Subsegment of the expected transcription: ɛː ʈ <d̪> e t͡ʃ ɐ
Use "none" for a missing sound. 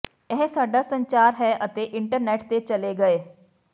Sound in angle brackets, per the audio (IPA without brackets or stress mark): t̪